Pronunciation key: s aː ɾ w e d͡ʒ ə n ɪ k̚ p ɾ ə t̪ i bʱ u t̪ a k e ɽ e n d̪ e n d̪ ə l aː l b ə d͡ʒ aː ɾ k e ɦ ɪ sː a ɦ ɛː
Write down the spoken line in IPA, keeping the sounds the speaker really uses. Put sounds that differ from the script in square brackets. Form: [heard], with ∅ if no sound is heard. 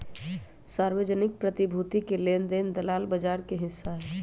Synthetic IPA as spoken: s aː ɾ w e d͡ʒ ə n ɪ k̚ p ɾ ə t̪ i bʱ u t̪ [i] k e [l] e n d̪ e n d̪ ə l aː l b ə d͡ʒ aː ɾ k e ɦ ɪ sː a ɦ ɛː